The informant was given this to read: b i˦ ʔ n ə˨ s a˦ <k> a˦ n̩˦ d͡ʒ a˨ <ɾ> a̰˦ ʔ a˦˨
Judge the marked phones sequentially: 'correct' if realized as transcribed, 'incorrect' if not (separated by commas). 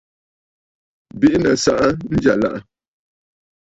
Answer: incorrect, incorrect